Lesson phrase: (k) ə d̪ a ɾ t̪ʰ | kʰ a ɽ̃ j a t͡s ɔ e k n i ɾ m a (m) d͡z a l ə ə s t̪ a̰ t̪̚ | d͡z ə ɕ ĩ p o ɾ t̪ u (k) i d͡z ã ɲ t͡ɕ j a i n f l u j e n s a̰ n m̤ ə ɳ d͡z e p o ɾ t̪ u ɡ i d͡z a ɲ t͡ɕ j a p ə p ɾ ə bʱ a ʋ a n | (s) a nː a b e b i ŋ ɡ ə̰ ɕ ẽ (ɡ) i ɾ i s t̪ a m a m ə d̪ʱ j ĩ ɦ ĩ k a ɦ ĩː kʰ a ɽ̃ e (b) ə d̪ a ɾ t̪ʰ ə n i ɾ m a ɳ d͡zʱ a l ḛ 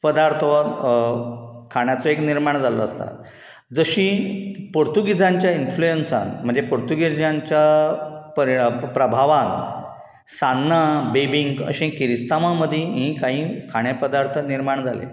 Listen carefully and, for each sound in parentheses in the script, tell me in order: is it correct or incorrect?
incorrect: p, incorrect: ɳ, incorrect: ɡ, correct, incorrect: k, incorrect: p

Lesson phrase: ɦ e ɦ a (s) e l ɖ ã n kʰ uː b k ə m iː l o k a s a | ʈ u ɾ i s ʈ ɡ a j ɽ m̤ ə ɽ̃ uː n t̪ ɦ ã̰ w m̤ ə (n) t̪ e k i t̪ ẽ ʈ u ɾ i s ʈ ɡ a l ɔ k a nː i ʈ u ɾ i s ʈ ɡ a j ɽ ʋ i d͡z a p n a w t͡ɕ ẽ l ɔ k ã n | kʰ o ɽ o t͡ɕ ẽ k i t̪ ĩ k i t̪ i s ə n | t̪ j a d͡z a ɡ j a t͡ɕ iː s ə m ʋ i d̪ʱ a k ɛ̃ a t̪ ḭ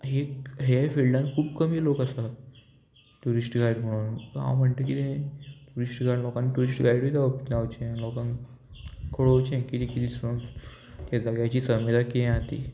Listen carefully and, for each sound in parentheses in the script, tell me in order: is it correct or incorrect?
incorrect: f, incorrect: ɳ

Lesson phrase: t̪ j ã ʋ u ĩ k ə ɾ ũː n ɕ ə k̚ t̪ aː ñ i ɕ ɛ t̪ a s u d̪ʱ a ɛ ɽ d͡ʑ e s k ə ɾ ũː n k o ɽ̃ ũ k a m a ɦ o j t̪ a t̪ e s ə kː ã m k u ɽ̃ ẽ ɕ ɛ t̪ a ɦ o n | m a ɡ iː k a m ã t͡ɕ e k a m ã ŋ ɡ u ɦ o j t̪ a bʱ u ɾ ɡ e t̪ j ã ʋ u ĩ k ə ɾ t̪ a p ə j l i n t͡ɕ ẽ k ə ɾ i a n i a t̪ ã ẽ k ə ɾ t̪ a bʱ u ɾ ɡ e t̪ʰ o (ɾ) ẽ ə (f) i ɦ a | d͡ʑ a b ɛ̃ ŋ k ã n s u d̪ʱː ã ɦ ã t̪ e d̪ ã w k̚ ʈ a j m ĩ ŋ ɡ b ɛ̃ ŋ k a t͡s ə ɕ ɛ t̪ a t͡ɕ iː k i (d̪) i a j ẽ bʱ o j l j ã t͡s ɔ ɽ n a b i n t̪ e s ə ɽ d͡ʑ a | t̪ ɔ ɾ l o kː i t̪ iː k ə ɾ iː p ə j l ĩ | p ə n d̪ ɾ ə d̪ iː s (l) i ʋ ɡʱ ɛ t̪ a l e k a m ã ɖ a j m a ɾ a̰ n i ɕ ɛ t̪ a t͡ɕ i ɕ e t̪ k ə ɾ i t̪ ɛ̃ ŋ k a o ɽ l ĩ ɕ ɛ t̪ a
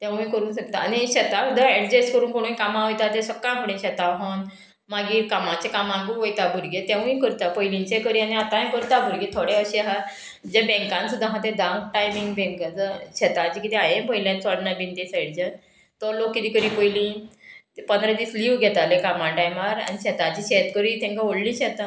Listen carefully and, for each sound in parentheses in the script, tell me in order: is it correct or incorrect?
incorrect: ɽ, incorrect: ɕ, incorrect: t̪, correct

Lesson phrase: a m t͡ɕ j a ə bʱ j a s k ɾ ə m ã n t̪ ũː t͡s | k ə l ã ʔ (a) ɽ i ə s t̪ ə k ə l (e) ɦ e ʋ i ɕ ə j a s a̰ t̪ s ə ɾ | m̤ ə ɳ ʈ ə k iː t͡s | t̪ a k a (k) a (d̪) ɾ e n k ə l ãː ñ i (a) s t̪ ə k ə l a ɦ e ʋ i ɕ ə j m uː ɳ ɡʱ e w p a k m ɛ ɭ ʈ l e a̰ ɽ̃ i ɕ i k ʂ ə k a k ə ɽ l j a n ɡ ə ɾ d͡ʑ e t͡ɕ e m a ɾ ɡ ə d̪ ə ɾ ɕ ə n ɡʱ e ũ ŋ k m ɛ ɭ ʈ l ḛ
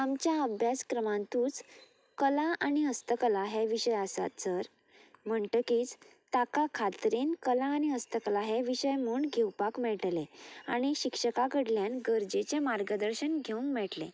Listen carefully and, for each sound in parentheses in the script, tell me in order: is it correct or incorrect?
correct, incorrect: a, incorrect: kʰ, incorrect: t̪, incorrect: ə

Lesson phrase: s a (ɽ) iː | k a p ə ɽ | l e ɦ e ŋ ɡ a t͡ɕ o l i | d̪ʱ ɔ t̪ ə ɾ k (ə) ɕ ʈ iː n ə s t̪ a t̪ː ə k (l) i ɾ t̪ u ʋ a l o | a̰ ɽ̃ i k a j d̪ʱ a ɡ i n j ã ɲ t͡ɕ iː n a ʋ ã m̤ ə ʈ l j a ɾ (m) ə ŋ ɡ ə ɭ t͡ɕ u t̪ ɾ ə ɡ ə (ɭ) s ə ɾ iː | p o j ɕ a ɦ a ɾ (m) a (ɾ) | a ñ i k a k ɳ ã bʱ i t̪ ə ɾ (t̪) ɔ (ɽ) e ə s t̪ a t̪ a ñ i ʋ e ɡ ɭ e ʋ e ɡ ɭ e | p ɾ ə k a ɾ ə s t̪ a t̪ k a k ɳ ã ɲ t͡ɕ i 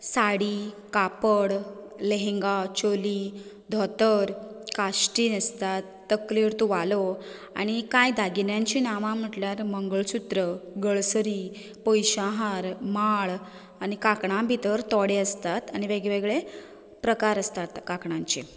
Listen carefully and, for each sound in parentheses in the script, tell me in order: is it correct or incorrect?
correct, incorrect: a, correct, correct, correct, correct, incorrect: ɭ, correct, correct

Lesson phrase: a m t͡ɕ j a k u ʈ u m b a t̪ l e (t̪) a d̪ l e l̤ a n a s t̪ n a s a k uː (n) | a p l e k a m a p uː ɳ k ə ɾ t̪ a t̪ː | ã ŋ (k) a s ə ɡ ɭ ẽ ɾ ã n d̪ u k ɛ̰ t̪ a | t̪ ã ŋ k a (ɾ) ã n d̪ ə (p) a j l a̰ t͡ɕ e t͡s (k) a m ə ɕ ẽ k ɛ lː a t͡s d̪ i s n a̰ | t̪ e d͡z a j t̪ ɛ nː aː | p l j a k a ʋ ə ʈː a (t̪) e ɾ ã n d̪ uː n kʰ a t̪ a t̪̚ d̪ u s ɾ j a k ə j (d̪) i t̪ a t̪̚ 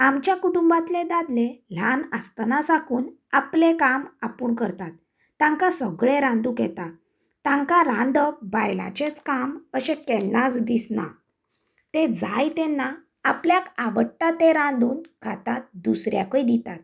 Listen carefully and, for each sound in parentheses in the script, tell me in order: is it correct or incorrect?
incorrect: d̪, correct, correct, correct, incorrect: b, correct, correct, correct

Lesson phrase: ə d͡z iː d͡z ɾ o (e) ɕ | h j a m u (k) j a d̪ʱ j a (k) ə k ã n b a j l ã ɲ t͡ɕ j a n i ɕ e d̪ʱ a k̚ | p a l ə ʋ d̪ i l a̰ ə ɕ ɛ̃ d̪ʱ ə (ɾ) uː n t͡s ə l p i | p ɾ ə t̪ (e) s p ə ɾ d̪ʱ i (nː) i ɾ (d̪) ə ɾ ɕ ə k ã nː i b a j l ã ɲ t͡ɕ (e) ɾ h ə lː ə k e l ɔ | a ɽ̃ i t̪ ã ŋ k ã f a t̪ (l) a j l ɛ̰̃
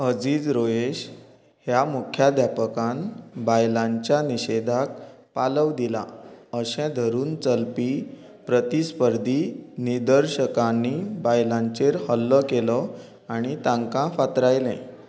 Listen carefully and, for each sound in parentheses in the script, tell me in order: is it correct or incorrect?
correct, incorrect: kʰ, incorrect: p, correct, incorrect: i, incorrect: n, correct, correct, incorrect: ɾ

